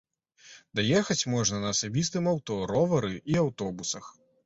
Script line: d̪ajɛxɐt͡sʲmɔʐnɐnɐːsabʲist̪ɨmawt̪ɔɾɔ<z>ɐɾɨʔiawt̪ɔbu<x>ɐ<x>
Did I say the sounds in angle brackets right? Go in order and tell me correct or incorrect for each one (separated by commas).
incorrect, incorrect, correct